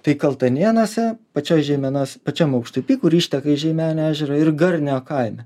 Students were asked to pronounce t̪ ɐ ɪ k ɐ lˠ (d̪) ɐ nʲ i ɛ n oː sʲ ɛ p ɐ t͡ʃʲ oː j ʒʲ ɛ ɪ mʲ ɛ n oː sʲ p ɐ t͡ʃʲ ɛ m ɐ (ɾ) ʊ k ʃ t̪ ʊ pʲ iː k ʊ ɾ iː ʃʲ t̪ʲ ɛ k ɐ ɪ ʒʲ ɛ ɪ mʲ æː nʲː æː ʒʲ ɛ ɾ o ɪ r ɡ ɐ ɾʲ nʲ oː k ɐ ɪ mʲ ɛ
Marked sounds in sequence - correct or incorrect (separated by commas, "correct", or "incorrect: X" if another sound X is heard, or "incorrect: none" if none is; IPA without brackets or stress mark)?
incorrect: t̪, incorrect: none